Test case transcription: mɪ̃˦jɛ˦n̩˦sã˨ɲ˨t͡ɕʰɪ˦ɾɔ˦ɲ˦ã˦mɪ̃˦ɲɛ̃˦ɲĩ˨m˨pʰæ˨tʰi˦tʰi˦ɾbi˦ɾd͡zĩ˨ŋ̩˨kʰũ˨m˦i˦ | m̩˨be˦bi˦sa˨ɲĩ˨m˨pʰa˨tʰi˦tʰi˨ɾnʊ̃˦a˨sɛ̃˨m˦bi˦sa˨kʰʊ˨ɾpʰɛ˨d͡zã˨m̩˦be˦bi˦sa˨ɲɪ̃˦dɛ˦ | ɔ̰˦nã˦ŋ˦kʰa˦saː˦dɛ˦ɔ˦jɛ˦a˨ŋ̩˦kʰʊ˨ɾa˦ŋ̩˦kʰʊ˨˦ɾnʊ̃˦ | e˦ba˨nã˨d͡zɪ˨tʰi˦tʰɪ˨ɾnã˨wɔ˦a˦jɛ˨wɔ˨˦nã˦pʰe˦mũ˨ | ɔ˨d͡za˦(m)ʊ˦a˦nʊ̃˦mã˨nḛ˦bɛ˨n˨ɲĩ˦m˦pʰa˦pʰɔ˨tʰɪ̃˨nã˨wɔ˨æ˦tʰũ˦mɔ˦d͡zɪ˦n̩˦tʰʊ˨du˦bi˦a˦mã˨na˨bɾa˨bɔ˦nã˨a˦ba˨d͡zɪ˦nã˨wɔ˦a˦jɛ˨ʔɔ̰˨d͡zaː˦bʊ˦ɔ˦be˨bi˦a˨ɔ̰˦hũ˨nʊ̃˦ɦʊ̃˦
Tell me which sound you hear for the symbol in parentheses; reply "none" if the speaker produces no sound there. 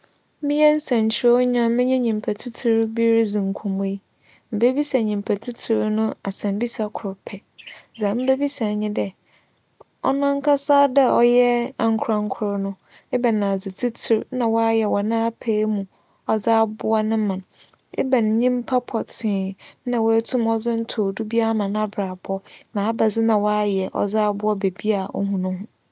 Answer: b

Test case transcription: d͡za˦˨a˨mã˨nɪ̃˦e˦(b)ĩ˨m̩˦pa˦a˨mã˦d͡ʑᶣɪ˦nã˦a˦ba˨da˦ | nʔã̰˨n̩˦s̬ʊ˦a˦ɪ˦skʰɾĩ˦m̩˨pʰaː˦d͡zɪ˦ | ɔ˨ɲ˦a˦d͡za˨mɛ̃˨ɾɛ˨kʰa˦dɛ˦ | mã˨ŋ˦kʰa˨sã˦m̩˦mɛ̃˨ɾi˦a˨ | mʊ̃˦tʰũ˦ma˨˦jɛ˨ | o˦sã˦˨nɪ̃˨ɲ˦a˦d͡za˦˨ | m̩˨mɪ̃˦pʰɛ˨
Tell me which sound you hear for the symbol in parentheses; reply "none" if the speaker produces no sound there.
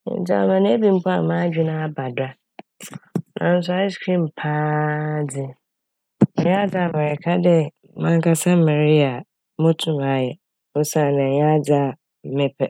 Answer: b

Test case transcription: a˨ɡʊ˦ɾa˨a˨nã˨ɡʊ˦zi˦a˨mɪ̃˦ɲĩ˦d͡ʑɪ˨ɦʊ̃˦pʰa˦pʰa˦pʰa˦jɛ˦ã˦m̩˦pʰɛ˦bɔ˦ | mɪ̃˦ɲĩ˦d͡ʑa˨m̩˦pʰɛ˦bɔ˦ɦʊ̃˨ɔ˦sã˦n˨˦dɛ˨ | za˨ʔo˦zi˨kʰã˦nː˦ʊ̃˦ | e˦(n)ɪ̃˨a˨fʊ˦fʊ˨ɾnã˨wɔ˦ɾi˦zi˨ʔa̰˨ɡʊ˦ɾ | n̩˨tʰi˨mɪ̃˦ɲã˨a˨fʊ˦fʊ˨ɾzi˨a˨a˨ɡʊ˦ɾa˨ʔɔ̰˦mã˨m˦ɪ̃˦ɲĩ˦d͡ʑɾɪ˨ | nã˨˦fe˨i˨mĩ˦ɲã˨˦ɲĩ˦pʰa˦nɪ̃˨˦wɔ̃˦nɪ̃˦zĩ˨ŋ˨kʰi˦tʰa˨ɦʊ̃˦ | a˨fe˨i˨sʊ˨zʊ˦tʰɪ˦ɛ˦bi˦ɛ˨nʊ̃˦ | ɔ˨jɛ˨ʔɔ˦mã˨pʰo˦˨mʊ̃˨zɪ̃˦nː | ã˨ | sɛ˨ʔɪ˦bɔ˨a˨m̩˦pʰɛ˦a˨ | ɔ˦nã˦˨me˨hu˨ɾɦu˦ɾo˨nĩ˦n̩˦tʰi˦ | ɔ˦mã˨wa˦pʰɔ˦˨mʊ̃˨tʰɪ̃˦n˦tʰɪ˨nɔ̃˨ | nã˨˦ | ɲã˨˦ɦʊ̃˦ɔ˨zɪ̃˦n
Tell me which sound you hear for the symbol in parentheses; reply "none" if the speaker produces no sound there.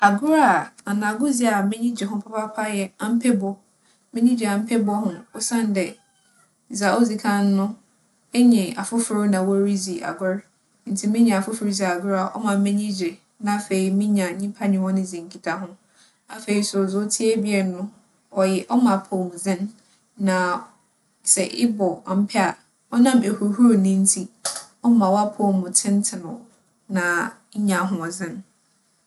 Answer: ɲ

